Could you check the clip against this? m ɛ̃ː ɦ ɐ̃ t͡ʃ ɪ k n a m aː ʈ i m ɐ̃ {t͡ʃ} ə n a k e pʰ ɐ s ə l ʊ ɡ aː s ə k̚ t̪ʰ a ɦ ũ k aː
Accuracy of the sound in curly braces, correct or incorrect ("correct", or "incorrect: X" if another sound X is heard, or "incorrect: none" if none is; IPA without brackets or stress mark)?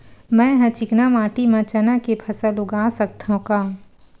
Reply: correct